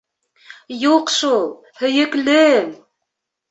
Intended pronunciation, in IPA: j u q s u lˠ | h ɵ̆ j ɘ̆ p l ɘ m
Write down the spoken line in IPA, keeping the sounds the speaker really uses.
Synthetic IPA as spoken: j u q ʃ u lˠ | h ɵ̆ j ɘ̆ k l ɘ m